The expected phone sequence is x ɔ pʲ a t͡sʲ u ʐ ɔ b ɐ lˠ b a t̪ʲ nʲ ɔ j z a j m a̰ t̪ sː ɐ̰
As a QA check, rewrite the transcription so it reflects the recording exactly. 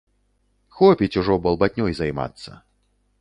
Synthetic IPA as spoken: x ɔ pʲ i t͡sʲ u ʐ ɔ b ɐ lˠ b a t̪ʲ nʲ ɔ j z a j m a̰ t̪ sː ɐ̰